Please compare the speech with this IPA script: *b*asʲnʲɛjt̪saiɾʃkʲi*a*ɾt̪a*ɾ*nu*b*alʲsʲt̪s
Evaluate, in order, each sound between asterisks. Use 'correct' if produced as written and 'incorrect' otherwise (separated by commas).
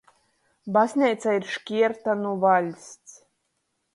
correct, incorrect, incorrect, incorrect